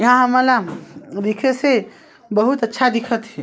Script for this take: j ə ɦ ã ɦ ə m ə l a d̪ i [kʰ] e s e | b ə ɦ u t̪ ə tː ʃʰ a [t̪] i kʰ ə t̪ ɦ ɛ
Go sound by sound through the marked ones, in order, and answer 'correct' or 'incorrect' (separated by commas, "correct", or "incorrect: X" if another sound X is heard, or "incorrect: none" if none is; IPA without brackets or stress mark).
correct, incorrect: d̪